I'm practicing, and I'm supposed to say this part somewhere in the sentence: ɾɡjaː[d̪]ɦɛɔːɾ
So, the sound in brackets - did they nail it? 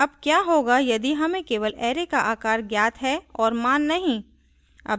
no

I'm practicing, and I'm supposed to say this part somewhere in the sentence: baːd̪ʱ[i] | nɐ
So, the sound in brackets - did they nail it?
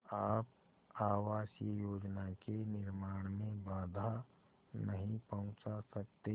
no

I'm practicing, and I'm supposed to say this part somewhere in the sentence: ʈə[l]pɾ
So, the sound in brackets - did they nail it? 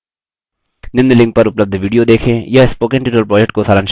yes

